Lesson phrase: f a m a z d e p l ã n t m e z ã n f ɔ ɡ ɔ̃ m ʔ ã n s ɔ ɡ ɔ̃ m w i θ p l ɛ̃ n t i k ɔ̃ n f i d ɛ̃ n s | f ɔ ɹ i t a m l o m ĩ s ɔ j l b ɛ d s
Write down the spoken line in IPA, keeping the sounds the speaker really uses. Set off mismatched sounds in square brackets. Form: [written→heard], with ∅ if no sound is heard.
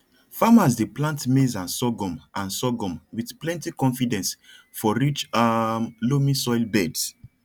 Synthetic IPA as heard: f a m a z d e p l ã n t m e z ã n [f→s] ɔ ɡ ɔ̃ m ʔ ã n s ɔ ɡ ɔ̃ m w i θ p l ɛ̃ n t i k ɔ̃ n f i d ɛ̃ n s | f ɔ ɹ i [t→t͡ʃ] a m l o m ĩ s ɔ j l b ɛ d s